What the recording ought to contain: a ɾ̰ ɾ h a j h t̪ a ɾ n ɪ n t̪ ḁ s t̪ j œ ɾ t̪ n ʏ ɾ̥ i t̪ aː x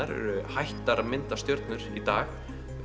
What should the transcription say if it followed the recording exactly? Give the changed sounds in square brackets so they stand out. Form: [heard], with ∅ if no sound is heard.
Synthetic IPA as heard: a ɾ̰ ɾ h a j h t̪ a ɾ [m] ɪ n t̪ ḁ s t̪ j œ ɾ t̪ n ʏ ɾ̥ i t̪ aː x